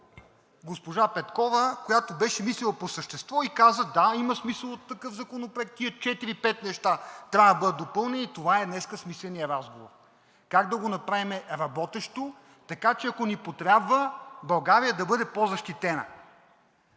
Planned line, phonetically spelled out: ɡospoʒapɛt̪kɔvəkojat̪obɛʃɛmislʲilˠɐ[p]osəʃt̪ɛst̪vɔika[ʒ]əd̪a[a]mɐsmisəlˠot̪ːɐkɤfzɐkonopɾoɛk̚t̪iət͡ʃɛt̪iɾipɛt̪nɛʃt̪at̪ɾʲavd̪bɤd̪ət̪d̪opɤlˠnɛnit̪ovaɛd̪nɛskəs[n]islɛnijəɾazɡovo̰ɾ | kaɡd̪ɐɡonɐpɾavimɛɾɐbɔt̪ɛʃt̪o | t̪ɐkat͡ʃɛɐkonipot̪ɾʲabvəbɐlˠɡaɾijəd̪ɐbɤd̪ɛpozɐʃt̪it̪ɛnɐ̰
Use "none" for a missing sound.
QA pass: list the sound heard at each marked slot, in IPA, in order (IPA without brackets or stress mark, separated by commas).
p, z, i, m